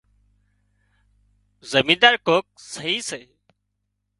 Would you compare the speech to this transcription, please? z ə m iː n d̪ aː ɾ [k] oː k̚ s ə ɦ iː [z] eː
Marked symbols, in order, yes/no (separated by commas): yes, no